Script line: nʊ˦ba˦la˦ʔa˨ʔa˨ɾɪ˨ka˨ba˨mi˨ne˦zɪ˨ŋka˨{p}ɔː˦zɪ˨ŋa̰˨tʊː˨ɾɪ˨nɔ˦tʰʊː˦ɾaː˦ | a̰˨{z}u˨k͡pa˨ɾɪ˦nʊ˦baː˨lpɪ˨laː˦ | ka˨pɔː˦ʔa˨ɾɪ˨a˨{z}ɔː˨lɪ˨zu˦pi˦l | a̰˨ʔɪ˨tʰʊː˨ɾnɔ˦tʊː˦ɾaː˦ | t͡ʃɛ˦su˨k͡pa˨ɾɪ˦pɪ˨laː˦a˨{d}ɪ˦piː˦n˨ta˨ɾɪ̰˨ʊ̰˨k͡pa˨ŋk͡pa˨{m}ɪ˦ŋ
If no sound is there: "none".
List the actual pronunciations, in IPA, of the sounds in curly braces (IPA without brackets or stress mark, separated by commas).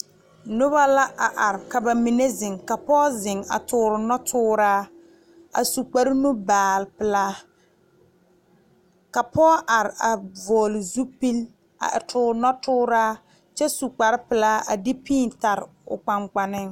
p, s, v, d, n